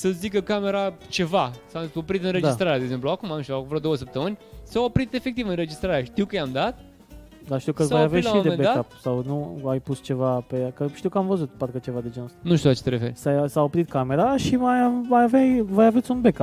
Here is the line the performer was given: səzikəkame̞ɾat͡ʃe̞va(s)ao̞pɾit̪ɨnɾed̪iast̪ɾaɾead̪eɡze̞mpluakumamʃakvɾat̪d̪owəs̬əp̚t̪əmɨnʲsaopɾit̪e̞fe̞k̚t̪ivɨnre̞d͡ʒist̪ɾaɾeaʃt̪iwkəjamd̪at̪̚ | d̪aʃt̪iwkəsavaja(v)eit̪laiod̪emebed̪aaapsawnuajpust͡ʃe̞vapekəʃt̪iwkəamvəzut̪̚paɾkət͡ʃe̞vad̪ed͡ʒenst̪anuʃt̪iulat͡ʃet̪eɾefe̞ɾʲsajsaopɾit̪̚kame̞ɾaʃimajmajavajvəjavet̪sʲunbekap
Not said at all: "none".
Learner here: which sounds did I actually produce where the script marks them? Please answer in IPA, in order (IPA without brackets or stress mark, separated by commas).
s, v